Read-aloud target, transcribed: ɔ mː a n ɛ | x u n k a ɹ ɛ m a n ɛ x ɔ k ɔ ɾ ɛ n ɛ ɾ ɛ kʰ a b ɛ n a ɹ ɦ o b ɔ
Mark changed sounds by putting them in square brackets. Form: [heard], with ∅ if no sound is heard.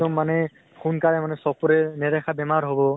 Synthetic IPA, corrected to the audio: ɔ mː a n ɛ | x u n k a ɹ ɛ m a n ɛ [s] ɔ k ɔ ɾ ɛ n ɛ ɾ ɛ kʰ a b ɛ [m] a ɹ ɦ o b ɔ